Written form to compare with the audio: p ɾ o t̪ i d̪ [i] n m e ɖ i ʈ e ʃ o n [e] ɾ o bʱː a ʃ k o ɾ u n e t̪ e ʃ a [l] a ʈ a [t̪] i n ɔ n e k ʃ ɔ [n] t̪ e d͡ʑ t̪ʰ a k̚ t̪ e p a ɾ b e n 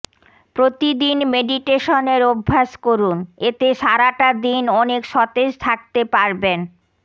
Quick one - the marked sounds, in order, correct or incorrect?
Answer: correct, correct, incorrect: ɾ, incorrect: d̪, incorrect: none

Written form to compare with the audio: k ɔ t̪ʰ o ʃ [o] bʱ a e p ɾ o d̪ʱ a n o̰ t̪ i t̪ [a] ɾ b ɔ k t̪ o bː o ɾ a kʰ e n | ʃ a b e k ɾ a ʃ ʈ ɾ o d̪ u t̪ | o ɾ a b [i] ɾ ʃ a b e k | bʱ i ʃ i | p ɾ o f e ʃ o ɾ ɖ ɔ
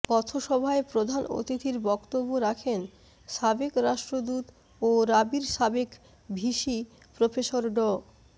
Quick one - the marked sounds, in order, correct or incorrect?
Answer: incorrect: ɔ, incorrect: i, correct

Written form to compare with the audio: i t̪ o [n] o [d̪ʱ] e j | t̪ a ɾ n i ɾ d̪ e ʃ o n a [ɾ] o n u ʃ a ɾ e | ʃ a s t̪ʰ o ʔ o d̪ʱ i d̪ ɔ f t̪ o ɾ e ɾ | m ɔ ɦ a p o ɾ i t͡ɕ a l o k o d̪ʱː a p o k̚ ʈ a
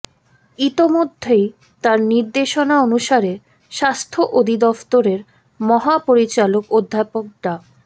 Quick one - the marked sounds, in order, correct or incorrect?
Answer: incorrect: m, incorrect: d̪ʱː, incorrect: none

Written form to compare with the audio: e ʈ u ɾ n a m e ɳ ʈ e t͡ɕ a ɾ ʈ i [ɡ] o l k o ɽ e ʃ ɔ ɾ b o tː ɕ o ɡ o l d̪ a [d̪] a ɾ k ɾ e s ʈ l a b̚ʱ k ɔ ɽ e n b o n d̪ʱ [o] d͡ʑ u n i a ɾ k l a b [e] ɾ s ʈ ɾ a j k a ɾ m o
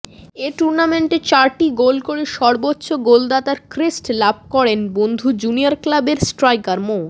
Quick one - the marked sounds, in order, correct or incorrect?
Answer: correct, incorrect: t̪, incorrect: u, correct

